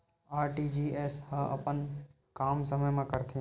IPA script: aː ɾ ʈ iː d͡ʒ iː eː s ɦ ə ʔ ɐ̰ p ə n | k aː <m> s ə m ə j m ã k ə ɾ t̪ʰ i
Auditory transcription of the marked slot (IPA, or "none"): m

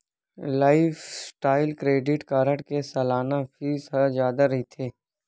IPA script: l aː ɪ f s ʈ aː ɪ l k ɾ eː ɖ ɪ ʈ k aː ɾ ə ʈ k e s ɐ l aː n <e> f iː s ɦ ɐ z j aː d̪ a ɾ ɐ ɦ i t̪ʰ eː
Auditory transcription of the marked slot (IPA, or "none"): a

